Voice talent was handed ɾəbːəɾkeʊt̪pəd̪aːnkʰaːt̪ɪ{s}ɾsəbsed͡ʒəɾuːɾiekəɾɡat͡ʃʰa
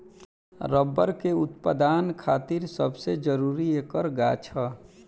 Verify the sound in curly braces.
incorrect: none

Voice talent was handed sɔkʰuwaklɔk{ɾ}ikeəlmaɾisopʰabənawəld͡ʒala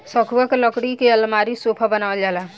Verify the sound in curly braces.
incorrect: ɽ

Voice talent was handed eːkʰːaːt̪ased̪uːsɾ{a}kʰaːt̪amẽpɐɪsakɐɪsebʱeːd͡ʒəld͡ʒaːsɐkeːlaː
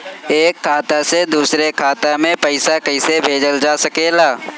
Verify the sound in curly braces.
incorrect: e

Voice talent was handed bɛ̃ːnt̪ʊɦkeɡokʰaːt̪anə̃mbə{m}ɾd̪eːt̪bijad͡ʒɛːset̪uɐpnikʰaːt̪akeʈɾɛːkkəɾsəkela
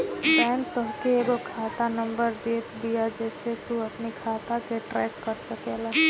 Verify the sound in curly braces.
incorrect: none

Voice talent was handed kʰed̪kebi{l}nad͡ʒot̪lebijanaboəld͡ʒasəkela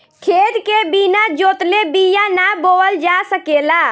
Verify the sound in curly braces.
incorrect: none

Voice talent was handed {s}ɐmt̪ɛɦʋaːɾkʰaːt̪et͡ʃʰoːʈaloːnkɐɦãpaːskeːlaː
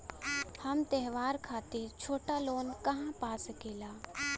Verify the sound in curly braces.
incorrect: h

